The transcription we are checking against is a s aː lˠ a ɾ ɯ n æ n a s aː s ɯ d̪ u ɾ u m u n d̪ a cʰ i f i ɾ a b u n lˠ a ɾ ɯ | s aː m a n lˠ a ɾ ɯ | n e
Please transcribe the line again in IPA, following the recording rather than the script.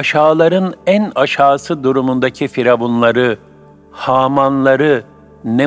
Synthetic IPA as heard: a ʃ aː lˠ a ɾ ɯ n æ n a ʃ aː s ɯ d̪ u ɾ u m u n d̪ a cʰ i f i ɾ a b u n lˠ a ɾ ɯ | h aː m a n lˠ a ɾ ɯ | n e